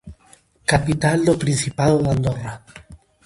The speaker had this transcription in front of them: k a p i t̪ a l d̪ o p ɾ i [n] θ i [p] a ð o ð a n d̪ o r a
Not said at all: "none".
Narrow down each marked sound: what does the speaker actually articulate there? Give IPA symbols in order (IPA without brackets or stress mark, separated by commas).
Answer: n, p